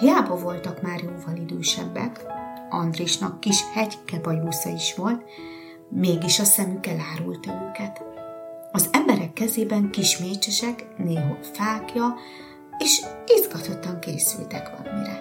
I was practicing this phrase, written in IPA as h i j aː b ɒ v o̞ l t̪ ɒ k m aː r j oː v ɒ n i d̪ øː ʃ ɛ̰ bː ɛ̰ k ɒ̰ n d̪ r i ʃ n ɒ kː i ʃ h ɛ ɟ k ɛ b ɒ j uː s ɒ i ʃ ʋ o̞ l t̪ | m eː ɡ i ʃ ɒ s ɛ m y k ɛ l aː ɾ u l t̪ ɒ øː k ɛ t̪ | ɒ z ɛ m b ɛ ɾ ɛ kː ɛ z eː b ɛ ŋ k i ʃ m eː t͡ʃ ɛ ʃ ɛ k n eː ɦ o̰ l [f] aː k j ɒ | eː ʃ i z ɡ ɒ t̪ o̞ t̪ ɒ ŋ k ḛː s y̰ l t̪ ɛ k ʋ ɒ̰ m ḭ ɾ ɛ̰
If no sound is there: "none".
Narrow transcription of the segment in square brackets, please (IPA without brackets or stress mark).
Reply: f